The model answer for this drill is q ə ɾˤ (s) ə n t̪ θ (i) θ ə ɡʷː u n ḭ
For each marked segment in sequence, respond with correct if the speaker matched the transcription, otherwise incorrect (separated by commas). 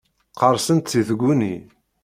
correct, correct